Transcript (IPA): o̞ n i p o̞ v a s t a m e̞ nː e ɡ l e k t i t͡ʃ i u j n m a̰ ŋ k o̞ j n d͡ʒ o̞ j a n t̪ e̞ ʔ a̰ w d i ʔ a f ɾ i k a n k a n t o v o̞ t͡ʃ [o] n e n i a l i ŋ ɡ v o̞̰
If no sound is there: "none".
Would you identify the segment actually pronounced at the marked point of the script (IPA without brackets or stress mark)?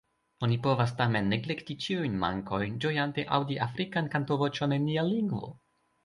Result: o